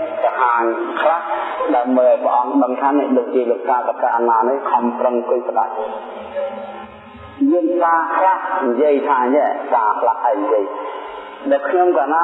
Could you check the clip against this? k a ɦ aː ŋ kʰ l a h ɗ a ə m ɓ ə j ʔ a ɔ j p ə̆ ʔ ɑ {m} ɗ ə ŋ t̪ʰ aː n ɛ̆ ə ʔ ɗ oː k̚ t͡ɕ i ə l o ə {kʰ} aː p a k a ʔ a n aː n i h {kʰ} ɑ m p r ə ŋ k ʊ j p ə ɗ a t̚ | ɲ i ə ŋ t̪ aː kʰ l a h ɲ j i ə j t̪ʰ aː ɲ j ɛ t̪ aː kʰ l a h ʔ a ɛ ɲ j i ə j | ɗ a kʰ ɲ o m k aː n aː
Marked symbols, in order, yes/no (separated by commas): no, no, yes